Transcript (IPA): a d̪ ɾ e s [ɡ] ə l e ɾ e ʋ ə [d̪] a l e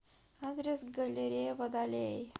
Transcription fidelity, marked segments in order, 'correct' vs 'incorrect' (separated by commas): correct, correct